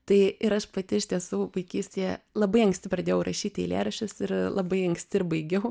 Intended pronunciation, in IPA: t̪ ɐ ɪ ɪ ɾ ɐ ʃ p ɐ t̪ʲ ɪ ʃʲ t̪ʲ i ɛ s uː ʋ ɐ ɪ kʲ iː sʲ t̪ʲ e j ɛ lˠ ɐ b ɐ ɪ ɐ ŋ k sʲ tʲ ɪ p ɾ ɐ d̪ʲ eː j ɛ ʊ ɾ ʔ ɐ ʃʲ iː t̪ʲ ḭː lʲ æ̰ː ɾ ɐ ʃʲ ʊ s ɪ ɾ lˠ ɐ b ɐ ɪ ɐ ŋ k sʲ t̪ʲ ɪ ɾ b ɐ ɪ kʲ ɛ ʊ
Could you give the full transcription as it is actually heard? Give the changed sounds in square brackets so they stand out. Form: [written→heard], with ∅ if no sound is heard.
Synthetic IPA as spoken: t̪ ɐ ɪ ɪ ɾ ɐ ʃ p ɐ t̪ʲ ɪ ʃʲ t̪ʲ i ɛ s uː ʋ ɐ ɪ kʲ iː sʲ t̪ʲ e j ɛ lˠ ɐ b ɐ ɪ ɐ ŋ k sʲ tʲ ɪ p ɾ ɐ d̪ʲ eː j ɛ ʊ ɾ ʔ ɐ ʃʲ iː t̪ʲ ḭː lʲ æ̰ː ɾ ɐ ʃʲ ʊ s ɪ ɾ lˠ ɐ b ɐ ɪ ɐ ŋ k sʲ t̪ʲ ɪ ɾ b ɐ ɪ [kʲ→ɡʲ] ɛ ʊ